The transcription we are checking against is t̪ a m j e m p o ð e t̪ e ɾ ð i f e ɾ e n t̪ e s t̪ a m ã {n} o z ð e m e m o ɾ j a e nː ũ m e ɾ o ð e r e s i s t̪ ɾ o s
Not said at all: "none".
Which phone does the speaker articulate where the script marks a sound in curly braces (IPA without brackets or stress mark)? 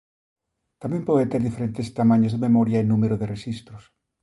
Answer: ɲ